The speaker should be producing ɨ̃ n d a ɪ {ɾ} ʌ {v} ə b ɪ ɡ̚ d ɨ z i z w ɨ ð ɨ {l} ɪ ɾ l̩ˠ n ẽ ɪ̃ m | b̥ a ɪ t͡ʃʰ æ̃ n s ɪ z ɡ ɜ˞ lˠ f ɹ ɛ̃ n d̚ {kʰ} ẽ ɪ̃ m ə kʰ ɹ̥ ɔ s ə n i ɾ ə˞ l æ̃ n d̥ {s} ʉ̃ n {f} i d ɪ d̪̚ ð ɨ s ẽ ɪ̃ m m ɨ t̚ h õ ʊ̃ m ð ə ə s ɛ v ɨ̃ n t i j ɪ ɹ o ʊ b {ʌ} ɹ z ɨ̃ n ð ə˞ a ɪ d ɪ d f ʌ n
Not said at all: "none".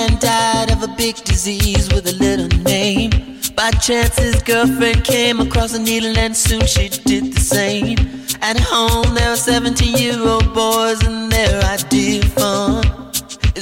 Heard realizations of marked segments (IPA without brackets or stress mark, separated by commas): ɾ, v, l, kʰ, s, ʃ, ɔ